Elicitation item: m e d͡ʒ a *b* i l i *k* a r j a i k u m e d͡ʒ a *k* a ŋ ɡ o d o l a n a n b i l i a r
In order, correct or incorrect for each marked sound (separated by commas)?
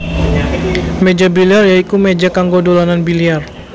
correct, incorrect, correct